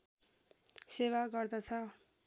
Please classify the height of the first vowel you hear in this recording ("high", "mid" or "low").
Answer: mid